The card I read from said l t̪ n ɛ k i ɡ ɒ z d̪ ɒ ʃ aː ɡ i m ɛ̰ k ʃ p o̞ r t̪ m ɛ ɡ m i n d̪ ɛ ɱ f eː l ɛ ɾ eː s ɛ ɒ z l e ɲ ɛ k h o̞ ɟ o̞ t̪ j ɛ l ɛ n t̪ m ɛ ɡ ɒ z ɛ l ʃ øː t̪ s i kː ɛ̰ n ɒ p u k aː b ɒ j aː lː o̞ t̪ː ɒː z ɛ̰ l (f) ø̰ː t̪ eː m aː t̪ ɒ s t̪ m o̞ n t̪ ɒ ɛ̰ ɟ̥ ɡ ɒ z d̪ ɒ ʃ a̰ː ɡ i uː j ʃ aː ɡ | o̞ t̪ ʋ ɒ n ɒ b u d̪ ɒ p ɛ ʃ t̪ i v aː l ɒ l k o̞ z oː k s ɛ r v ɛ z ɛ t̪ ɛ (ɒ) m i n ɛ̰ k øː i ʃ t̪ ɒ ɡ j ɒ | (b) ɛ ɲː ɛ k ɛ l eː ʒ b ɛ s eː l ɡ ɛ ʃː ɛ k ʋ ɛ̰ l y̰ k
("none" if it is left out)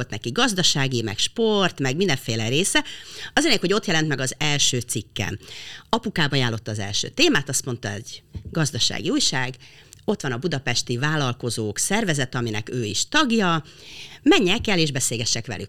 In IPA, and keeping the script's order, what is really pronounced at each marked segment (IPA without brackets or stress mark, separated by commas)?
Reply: ʃ, ɒ, m